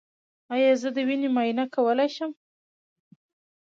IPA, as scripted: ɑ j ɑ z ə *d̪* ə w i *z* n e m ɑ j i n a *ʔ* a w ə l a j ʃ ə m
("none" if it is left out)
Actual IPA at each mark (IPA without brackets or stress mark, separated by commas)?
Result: d̪, none, k